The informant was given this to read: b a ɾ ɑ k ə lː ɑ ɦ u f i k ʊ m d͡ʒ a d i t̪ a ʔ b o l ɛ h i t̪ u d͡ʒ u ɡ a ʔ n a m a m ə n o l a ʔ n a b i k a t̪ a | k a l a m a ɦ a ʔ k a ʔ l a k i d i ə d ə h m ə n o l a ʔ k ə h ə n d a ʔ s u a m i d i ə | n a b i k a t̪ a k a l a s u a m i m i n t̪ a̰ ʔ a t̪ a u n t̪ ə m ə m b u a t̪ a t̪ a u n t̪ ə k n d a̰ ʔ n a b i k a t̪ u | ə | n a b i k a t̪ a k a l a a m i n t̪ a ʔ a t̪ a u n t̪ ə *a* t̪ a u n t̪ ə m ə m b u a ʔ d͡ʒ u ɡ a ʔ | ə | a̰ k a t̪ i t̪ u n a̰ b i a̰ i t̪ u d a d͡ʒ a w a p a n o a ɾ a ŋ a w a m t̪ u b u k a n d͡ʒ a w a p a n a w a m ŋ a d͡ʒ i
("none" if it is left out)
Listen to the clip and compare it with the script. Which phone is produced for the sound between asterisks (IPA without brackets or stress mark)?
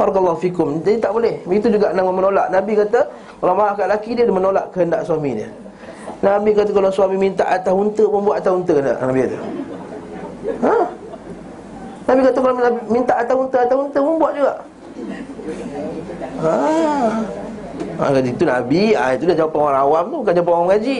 a